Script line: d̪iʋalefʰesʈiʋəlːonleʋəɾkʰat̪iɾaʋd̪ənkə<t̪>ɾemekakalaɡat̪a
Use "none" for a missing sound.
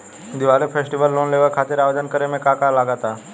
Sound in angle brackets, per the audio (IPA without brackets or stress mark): none